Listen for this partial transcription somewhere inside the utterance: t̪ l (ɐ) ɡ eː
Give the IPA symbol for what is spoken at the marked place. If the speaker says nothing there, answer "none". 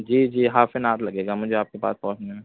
ɐ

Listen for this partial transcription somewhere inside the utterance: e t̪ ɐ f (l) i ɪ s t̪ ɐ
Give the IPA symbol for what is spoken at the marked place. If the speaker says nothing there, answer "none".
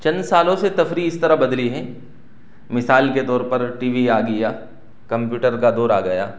ɾ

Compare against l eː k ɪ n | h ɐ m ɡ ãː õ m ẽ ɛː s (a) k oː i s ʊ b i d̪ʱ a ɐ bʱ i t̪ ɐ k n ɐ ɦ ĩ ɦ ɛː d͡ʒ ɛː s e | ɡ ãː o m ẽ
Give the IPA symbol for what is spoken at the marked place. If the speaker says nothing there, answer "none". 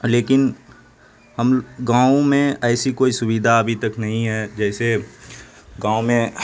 i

